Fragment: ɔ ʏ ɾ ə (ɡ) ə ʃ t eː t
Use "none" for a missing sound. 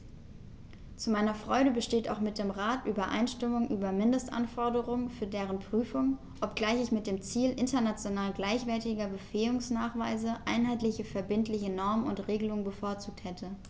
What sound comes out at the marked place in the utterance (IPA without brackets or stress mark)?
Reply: b